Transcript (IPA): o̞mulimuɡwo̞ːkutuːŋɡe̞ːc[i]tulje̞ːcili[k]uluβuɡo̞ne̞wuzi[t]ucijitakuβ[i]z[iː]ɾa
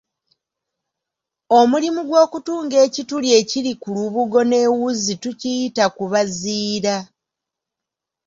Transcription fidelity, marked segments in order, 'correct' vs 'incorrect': correct, correct, correct, incorrect, correct

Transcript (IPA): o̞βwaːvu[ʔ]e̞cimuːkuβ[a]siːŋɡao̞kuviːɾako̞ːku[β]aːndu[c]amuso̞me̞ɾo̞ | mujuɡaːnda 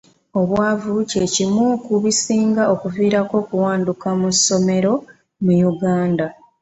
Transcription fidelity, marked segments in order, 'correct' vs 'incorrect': incorrect, incorrect, incorrect, incorrect

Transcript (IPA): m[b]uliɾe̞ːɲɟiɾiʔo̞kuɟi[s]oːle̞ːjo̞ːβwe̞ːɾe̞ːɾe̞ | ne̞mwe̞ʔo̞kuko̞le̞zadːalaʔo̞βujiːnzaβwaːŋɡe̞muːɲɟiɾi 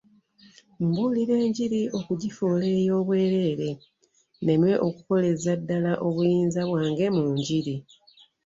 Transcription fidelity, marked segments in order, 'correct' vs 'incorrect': correct, incorrect

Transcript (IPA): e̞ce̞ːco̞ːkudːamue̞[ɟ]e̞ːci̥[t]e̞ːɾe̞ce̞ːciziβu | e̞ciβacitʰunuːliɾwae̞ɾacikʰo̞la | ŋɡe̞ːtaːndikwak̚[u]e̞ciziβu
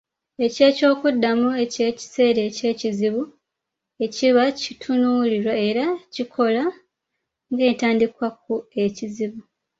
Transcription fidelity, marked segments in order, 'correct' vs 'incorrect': incorrect, incorrect, correct

